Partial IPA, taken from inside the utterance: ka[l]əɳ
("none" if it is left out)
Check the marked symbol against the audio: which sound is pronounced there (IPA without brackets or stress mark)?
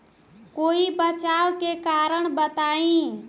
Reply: ɾ